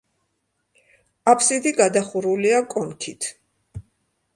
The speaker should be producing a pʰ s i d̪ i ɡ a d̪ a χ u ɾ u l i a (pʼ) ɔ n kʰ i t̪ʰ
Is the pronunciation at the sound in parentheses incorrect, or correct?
incorrect